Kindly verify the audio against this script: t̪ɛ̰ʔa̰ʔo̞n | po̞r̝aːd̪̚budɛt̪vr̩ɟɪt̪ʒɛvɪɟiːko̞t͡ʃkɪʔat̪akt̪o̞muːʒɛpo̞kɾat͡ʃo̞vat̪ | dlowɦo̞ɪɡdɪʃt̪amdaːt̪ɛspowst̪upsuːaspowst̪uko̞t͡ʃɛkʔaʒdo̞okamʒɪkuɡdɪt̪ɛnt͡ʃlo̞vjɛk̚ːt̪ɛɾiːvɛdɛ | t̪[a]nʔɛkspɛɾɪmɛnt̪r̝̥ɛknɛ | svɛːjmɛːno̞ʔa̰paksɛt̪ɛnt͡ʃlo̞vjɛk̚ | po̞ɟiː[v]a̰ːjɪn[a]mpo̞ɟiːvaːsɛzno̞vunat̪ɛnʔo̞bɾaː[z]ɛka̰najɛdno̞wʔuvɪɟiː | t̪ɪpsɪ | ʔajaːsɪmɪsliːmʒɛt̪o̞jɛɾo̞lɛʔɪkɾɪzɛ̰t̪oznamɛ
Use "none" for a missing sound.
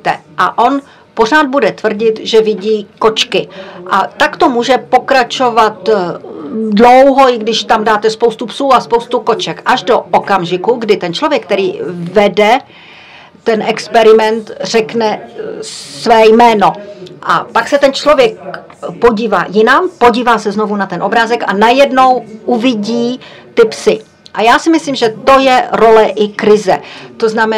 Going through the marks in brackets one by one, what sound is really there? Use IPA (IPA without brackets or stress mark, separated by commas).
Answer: ɛ, v, a, z